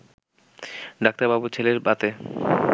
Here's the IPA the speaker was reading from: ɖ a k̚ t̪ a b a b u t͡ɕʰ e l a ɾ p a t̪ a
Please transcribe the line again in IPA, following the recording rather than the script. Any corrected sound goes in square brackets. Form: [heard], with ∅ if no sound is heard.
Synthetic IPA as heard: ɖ a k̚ t̪ a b a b u t͡ɕʰ e l [e] ɾ [b] a t̪ [e]